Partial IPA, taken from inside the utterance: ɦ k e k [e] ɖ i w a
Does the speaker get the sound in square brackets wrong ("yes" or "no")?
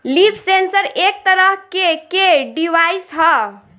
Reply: no